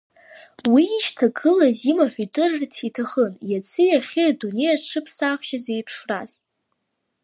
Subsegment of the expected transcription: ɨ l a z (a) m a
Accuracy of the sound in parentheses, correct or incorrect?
incorrect: i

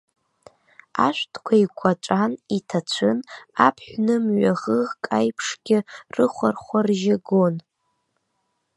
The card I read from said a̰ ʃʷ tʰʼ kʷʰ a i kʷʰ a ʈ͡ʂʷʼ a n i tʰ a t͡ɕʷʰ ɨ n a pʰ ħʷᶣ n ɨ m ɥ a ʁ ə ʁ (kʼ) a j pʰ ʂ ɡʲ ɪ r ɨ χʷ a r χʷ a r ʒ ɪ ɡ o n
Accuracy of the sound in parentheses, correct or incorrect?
correct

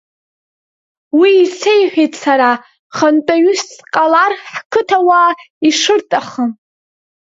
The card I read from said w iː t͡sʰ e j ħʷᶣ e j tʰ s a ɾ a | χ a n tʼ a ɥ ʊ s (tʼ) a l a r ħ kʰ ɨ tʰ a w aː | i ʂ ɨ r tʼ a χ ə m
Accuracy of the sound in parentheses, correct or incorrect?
incorrect: qʼ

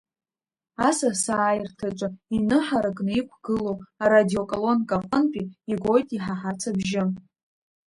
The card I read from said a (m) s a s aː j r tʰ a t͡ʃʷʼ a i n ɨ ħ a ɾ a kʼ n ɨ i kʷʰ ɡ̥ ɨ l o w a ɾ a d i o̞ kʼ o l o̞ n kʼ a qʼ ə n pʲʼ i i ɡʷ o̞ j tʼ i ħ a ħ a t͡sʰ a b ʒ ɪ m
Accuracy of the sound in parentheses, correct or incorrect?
incorrect: none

